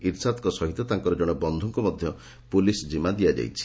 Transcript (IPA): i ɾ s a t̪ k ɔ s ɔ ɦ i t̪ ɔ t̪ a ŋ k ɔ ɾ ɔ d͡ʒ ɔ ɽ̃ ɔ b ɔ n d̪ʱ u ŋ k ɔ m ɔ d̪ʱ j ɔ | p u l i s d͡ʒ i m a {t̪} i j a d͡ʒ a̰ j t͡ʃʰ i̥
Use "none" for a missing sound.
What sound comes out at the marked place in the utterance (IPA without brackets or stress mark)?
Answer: d̪